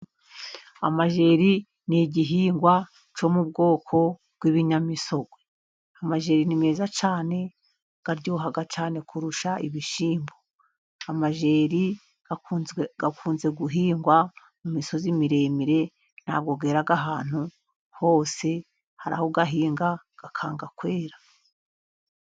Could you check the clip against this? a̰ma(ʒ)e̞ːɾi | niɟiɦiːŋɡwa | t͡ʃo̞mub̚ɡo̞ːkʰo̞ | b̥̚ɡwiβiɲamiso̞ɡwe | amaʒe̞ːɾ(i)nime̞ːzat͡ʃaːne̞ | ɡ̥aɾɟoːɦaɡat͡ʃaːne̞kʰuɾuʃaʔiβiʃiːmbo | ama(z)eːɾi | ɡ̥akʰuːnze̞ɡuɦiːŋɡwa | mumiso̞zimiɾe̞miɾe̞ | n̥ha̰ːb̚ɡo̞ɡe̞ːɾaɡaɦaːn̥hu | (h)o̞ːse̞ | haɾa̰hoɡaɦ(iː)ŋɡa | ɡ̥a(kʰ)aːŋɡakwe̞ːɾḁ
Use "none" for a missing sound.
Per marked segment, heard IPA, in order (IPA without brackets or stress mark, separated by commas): ʒ, i, ʒ, h, iː, kʰ